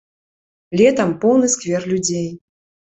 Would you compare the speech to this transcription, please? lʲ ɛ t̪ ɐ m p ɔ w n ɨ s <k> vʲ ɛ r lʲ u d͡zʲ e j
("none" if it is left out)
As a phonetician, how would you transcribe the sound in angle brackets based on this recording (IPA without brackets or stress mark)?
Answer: k